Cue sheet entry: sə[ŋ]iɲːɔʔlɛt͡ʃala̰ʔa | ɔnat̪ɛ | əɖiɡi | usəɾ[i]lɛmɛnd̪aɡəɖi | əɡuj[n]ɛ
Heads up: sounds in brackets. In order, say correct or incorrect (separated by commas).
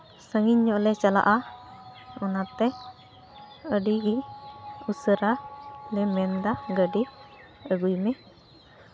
correct, incorrect, incorrect